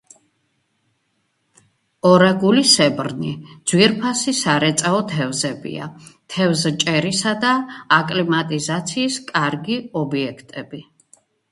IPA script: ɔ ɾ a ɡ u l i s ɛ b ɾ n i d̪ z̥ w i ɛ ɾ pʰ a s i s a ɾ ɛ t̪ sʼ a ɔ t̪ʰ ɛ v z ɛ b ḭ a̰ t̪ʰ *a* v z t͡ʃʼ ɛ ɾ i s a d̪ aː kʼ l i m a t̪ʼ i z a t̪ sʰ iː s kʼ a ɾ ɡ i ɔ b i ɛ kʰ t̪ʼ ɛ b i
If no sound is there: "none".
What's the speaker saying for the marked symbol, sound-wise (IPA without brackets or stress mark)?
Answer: ɛ